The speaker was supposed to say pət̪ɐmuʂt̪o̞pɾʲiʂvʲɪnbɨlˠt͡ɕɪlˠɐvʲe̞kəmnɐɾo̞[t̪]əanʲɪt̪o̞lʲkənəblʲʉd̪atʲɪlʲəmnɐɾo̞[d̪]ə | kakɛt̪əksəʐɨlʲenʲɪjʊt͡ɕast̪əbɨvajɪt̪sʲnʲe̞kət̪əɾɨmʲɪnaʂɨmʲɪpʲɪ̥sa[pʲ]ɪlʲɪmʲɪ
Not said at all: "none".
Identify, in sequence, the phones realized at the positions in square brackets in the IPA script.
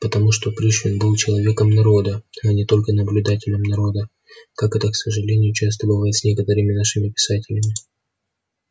d̪, d̪, tʲ

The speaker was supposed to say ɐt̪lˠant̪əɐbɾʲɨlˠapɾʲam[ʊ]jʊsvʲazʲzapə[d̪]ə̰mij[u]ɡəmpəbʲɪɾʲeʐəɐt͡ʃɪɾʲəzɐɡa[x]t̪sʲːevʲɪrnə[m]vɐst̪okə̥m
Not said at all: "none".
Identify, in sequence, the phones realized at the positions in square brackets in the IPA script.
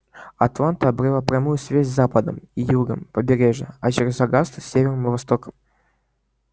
u, d̪, u, s, m

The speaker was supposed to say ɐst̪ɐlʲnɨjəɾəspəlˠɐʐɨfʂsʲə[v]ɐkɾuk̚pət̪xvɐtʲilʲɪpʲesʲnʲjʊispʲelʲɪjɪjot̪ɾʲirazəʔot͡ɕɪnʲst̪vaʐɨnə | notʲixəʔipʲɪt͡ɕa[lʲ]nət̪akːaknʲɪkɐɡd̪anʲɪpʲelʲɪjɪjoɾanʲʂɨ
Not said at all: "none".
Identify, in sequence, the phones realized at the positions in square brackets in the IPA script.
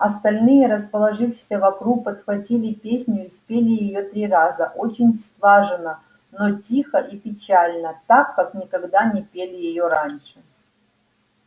v, lʲ

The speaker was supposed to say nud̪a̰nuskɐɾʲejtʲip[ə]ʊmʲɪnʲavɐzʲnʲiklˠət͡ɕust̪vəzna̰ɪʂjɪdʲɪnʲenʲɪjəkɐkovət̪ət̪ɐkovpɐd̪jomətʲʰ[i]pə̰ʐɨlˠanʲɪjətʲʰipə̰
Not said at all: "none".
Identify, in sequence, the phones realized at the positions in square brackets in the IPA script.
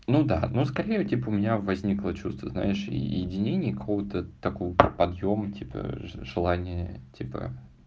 ə, i

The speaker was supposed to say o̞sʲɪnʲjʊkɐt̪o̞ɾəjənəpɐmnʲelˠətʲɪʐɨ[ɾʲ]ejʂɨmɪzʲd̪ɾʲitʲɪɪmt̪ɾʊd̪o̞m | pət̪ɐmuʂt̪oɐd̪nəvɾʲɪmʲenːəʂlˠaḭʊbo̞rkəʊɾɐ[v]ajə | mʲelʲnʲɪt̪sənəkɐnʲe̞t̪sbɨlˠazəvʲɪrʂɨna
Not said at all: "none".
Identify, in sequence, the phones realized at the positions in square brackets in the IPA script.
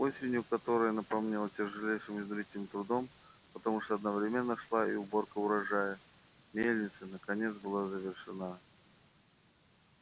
lʲ, ʐ

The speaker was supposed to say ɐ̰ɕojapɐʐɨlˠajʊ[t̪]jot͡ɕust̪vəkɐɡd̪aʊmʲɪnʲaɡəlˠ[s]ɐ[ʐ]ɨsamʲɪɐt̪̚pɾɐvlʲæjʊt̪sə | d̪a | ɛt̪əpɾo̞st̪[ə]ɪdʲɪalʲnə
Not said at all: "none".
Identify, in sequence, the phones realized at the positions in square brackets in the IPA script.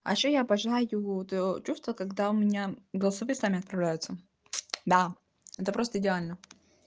t̪, s, v, ə

